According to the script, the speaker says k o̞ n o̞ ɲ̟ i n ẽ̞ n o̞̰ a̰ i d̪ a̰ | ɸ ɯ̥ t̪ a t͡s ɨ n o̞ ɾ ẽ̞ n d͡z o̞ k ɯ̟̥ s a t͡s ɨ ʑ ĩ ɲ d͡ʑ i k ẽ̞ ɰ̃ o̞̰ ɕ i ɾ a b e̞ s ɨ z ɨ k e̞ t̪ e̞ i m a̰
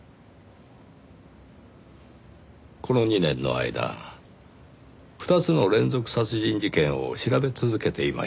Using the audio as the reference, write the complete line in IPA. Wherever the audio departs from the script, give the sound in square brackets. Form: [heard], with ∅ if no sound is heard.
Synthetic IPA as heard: k o̞ n o̞ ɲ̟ i n ẽ̞ [nː] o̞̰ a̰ i d̪ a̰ | ɸ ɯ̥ t̪ a t͡s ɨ n o̞ ɾ ẽ̞ n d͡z o̞ k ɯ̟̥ s a t͡s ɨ ʑ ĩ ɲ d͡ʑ i k ẽ̞ ɰ̃ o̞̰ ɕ i ɾ a b e̞ [t͡s] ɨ z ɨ k e̞ t̪ e̞ i m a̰